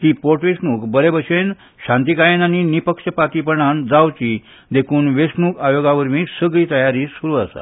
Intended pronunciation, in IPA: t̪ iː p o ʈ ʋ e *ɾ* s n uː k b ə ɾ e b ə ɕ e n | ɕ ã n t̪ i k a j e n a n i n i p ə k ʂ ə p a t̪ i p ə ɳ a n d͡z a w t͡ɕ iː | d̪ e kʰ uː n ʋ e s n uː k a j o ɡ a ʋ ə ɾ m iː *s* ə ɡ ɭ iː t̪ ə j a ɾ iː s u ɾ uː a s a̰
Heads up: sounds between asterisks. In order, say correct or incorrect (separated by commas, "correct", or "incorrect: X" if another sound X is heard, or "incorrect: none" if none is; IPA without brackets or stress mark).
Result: incorrect: none, correct